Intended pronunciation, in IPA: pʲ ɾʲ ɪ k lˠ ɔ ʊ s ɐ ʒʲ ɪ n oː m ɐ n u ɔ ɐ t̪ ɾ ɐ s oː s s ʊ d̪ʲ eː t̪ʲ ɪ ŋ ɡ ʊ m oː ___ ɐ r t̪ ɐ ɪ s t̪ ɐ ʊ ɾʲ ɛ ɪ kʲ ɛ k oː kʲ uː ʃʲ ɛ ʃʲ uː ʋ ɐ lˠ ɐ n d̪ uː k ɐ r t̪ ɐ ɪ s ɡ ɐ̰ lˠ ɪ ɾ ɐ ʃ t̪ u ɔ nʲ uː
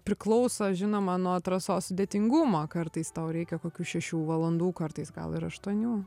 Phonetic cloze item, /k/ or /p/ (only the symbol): k